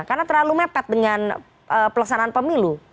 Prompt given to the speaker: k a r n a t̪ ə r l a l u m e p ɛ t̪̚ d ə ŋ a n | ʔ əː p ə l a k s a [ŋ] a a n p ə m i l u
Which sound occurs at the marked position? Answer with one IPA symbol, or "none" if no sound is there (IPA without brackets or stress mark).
n